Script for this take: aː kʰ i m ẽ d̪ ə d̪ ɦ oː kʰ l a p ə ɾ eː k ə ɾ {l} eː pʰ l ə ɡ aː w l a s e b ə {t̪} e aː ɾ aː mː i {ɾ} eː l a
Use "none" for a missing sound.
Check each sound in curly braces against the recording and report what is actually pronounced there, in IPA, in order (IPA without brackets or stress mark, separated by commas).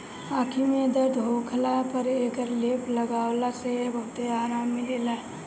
l, t̪, l